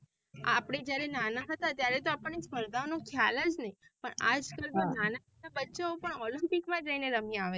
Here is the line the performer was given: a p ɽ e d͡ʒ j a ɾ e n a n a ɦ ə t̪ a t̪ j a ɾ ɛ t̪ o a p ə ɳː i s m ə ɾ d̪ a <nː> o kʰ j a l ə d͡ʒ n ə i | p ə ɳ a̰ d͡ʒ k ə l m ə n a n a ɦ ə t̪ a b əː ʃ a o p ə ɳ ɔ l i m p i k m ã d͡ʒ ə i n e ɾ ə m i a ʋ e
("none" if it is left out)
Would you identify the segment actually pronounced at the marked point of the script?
n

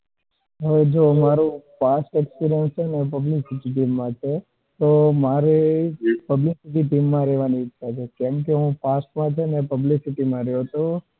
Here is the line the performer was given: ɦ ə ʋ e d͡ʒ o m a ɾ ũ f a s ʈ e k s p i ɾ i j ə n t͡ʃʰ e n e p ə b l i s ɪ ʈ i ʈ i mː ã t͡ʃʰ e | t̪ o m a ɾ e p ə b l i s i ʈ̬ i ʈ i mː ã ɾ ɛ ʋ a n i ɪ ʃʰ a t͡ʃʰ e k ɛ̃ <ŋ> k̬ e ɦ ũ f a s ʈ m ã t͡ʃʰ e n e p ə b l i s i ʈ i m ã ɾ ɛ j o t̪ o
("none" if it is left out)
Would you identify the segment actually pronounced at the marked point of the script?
m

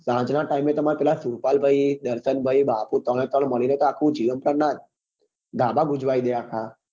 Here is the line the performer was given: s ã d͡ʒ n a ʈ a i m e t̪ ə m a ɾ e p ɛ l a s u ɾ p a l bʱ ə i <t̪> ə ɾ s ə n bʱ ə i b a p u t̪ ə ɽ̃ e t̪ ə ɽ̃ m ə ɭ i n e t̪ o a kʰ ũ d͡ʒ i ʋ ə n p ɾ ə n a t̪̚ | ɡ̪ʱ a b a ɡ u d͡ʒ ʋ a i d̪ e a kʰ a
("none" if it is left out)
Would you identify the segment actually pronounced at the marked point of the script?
d̪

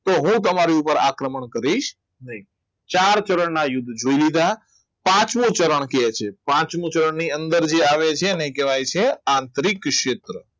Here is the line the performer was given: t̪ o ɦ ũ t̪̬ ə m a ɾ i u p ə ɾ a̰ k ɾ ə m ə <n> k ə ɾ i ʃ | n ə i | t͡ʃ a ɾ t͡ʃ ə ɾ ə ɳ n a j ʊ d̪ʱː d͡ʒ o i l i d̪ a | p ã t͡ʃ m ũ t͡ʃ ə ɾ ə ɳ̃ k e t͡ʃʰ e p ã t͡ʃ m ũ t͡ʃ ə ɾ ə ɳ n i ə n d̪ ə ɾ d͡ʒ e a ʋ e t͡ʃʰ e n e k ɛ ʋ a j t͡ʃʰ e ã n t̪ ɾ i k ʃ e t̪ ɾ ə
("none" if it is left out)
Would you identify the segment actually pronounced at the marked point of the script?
ɳ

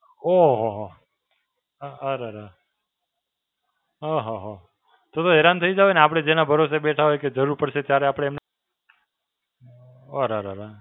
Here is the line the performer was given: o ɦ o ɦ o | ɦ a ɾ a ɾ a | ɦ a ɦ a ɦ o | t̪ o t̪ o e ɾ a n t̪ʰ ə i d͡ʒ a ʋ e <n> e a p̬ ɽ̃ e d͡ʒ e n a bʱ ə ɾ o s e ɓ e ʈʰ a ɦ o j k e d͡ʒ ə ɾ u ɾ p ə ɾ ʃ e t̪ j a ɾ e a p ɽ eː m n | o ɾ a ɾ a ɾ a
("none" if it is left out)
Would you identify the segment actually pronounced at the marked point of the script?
n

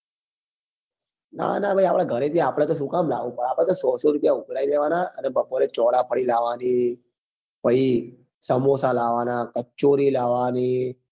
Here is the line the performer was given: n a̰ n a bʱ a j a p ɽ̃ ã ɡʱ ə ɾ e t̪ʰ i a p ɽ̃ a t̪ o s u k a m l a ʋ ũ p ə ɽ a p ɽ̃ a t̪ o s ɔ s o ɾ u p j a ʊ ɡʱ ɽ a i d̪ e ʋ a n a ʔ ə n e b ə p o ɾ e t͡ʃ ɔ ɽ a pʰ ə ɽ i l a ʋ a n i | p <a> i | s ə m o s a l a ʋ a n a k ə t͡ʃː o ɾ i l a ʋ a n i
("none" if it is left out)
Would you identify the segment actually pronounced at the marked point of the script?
ə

